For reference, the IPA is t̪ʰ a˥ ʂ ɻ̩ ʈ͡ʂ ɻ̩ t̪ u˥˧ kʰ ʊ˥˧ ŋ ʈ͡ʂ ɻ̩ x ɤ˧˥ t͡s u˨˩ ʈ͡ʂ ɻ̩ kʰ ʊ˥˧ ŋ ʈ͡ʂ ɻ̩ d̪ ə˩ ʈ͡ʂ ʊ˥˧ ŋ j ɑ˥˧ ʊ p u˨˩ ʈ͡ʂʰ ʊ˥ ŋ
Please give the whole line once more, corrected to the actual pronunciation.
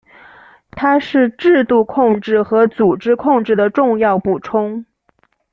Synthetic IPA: t̪ʰ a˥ ʂ ɻ̩ ʈ͡ʂ ɻ̩ t̪ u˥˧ kʰ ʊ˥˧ ŋ ʈ͡ʂ ɻ̩ x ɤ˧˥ t͡s u˨˩ ʈ͡ʂ ɻ̩ kʰ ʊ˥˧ ŋ ʈ͡ʂ ɻ̩ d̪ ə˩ ʈ͡ʂ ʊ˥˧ ŋ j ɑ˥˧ ʊ p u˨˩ ʈ͡ʂʰ ʊ˥ ŋ